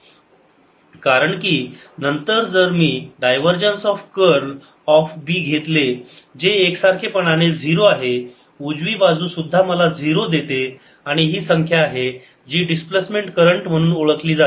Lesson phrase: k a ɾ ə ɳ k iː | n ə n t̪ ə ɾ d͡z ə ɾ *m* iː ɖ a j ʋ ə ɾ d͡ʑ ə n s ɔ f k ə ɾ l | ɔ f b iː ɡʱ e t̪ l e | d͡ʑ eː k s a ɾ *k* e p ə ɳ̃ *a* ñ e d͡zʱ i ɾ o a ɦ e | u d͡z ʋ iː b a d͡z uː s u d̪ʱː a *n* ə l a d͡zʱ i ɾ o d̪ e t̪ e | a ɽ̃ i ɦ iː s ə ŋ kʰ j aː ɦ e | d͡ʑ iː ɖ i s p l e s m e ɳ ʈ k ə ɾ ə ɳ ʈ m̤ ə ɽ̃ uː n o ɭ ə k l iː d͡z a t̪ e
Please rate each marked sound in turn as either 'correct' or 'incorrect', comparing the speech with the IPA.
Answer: correct, incorrect, correct, incorrect

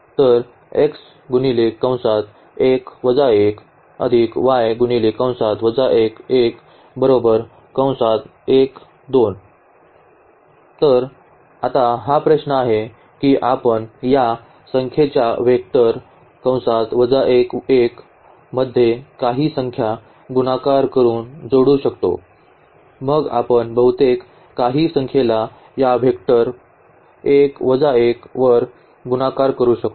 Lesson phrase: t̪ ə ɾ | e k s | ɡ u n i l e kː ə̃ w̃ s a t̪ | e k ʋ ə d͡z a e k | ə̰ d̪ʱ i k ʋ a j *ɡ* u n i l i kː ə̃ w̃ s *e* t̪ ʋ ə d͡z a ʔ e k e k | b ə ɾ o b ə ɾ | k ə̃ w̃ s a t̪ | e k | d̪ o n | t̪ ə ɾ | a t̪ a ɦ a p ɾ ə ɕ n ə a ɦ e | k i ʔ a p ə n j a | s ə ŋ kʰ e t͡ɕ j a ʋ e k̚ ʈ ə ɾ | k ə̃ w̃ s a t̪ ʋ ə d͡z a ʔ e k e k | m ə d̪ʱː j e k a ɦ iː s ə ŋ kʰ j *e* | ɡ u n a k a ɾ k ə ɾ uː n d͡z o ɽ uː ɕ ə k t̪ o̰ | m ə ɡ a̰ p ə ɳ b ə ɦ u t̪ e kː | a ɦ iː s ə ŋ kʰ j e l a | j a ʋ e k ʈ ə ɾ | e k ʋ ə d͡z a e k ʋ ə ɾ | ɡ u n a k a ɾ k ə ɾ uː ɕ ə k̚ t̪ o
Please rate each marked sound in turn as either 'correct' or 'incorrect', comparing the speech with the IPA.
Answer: correct, incorrect, incorrect

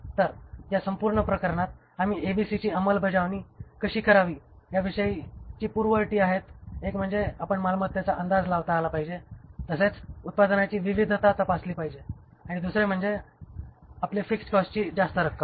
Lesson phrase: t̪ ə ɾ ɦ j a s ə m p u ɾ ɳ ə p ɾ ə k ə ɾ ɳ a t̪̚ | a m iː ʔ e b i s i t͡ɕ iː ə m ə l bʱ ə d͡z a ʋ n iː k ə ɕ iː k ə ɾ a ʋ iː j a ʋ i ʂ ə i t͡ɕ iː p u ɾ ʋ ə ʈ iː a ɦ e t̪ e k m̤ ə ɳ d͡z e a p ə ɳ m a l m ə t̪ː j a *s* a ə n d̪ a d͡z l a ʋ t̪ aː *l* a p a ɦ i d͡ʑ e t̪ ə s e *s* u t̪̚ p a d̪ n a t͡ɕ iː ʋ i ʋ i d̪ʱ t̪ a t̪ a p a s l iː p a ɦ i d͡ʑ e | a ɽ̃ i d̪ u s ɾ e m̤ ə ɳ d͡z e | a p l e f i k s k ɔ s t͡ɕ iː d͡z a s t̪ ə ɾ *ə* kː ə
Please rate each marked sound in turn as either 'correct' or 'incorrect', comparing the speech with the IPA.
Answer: incorrect, correct, incorrect, correct

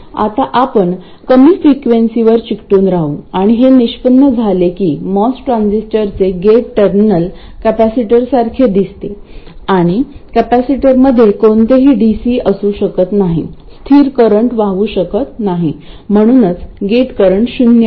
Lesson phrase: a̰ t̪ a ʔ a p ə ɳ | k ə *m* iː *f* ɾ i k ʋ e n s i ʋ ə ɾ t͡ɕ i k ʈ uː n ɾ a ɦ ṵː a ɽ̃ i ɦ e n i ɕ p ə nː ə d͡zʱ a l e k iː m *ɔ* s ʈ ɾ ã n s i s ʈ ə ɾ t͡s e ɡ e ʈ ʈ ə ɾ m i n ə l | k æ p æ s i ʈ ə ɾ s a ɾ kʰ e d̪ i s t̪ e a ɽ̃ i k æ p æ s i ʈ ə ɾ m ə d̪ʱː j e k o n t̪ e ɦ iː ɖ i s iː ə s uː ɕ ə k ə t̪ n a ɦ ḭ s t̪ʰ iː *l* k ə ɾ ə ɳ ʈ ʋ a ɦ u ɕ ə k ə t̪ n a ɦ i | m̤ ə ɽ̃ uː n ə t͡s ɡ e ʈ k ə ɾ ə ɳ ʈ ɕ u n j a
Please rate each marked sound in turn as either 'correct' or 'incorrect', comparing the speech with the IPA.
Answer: correct, correct, correct, incorrect

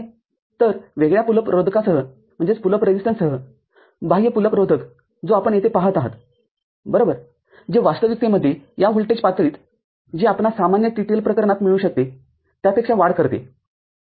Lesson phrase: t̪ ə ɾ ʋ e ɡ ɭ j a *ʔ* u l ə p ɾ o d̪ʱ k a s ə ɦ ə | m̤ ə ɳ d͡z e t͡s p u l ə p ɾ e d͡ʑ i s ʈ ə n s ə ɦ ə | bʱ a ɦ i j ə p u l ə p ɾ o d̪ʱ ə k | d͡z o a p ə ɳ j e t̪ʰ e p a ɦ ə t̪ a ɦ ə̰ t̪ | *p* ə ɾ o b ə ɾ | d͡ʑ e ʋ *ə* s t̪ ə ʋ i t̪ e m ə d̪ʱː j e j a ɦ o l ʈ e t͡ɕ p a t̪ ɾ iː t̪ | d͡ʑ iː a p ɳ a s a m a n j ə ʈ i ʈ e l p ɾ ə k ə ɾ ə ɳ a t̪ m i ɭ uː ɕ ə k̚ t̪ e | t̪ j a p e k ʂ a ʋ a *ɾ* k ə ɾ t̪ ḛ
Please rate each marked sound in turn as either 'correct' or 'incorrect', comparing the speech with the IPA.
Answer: incorrect, incorrect, incorrect, incorrect

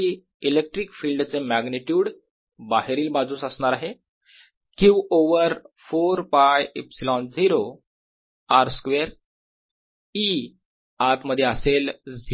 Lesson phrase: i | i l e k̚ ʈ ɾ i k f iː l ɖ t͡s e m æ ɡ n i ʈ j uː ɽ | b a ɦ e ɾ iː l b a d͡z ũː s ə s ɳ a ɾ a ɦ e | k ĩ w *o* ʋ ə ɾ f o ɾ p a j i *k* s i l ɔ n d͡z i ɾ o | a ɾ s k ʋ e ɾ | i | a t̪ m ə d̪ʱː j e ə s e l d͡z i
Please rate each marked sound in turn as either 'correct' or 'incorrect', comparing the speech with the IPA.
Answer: correct, incorrect

